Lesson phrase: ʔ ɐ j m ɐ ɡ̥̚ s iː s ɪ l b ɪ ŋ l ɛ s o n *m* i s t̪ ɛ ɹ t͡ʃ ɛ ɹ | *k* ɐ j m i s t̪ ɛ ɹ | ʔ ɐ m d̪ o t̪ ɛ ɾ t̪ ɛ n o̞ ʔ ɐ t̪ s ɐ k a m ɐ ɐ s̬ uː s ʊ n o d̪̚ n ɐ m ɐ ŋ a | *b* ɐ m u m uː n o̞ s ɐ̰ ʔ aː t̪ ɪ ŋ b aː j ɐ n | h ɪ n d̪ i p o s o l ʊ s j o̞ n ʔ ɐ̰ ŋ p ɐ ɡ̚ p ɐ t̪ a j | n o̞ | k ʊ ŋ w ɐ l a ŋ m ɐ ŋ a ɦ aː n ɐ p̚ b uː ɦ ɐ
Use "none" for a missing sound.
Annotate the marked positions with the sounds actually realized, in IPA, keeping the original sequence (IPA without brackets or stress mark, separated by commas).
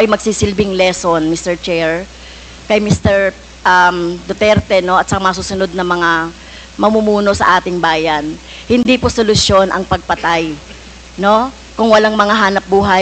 m, k, m